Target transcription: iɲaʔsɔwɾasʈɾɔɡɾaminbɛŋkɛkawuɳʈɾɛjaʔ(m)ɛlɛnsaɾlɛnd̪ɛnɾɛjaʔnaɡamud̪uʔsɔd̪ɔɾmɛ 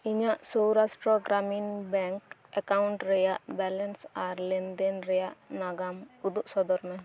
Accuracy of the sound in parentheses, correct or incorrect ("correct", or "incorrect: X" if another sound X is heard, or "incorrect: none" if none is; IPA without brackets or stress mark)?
incorrect: b